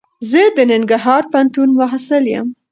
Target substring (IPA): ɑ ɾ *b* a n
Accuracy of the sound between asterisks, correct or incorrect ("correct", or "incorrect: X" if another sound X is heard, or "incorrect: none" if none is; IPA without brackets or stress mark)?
incorrect: p